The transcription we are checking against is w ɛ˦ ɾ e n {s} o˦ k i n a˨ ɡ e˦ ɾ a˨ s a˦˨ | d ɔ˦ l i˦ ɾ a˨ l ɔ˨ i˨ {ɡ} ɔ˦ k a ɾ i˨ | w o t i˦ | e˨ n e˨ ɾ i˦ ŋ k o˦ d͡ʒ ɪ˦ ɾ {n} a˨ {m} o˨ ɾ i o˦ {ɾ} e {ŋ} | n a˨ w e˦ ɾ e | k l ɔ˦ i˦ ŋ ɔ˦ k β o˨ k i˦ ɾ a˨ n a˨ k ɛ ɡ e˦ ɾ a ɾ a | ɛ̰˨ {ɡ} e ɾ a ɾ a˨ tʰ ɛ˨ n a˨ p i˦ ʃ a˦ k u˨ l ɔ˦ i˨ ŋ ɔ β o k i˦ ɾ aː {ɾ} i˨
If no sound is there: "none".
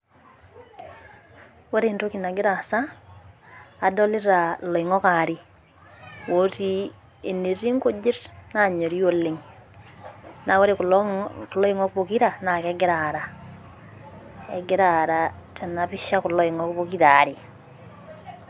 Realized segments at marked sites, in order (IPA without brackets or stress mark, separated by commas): t, ŋ, n, ɲ, l, ŋ, ɡ, ɾ